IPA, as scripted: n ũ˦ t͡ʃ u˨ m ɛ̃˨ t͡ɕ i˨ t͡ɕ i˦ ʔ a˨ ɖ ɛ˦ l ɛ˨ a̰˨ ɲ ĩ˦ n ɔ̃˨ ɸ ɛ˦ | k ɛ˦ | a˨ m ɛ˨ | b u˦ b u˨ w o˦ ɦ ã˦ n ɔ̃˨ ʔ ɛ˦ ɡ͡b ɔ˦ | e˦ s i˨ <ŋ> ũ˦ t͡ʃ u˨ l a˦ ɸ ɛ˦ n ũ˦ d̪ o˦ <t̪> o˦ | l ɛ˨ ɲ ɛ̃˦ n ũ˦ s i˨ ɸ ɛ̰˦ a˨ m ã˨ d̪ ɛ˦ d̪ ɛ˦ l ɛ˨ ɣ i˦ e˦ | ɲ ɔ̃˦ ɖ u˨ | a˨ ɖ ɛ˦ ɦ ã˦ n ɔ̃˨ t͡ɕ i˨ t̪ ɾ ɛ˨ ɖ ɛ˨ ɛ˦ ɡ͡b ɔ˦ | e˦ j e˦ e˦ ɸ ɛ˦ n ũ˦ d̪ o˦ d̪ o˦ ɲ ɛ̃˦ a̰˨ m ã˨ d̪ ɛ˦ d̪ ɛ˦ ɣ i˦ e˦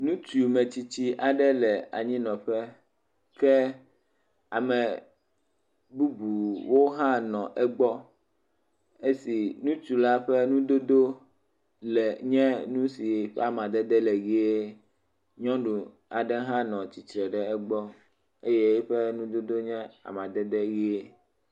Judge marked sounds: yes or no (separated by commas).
no, no